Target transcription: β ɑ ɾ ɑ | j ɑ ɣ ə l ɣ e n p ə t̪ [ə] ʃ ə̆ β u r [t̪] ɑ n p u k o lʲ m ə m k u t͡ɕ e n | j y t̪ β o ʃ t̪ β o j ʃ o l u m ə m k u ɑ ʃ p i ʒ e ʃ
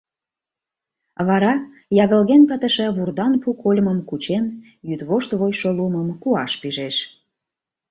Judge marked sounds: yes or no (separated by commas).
yes, no